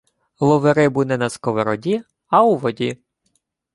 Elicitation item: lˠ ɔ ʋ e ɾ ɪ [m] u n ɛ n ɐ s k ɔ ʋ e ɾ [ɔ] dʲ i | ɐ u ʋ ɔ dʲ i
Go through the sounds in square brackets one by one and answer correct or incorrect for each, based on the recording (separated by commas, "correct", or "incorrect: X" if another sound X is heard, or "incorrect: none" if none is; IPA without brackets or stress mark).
incorrect: b, correct